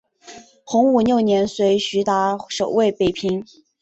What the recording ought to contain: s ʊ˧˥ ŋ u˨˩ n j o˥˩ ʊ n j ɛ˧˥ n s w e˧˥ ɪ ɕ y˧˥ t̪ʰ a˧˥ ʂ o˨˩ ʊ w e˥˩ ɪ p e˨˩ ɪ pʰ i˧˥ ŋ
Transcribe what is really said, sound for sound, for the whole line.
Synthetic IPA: x ʊ˧˥ ŋ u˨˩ n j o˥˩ ʊ n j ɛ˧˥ n s w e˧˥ ɪ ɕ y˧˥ t̪ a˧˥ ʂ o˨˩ ʊ w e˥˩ ɪ p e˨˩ ɪ pʰ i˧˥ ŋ